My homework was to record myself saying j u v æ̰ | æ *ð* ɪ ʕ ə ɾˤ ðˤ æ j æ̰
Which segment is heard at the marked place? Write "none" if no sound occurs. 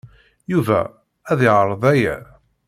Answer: ð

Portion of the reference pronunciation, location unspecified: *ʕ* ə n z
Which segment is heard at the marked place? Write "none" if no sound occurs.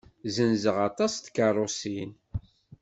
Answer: z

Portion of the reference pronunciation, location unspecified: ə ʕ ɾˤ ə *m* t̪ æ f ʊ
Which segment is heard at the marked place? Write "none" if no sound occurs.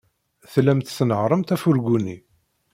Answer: m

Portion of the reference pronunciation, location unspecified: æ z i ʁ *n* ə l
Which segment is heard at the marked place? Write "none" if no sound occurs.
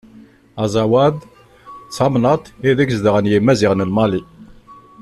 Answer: n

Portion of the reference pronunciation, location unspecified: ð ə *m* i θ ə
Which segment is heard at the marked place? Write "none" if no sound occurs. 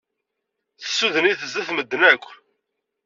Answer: n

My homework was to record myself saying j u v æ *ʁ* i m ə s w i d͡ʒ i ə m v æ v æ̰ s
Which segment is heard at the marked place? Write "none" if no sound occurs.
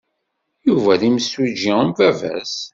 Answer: ð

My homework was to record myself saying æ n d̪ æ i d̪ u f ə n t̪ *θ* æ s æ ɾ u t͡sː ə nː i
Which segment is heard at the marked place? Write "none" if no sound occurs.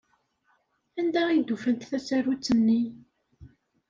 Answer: θ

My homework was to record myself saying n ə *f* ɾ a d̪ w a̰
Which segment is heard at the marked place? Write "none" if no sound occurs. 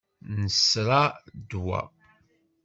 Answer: s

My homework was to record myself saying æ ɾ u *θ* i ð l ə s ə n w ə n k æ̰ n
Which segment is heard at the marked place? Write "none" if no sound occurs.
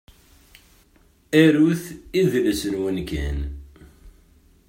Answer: θ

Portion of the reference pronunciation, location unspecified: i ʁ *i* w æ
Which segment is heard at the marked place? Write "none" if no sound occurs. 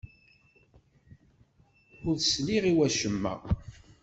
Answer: i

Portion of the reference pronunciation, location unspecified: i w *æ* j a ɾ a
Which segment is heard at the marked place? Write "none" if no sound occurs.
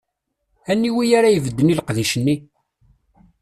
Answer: i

